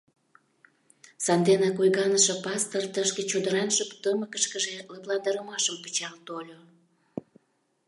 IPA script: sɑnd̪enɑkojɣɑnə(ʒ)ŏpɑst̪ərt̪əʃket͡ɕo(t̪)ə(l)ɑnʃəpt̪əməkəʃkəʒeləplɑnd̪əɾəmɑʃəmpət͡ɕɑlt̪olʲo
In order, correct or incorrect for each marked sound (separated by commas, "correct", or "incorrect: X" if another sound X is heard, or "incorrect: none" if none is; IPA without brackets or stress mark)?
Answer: incorrect: ʃ, incorrect: d̪, incorrect: ɾ